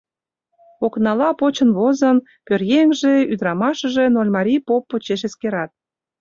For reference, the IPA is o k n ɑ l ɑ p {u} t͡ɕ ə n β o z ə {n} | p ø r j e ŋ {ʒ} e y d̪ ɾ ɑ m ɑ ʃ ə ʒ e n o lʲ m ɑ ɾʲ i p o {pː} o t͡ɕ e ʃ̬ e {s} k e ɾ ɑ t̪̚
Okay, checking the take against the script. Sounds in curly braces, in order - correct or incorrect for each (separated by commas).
incorrect, correct, correct, correct, correct